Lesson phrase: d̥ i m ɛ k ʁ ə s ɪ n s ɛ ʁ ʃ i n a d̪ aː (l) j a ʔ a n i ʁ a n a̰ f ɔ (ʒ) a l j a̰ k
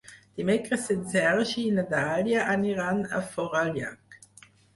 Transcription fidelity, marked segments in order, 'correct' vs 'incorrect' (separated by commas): correct, incorrect